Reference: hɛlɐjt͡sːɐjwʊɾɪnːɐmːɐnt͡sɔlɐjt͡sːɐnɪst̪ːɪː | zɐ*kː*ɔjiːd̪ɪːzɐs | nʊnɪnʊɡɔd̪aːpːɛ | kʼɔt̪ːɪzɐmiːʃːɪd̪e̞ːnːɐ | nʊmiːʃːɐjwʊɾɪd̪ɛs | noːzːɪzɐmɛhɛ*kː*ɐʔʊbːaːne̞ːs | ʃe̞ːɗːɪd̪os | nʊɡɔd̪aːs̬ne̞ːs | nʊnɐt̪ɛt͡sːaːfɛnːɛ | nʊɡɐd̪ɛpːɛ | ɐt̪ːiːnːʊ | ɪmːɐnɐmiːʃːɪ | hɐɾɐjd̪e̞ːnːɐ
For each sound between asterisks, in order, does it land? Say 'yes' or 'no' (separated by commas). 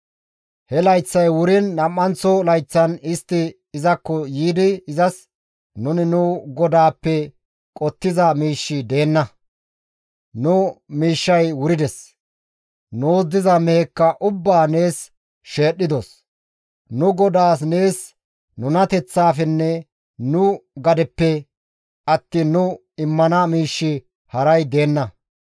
yes, yes